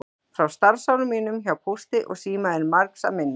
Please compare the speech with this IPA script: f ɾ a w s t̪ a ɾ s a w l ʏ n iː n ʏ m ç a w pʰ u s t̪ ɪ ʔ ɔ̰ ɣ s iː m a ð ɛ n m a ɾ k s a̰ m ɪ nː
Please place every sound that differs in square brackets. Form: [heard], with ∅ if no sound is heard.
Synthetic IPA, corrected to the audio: f ɾ a w s t̪ a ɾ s a w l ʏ [m] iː n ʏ m ç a w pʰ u s t̪ ɪ ʔ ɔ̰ ɣ s iː m a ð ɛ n m a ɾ k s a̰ m ɪ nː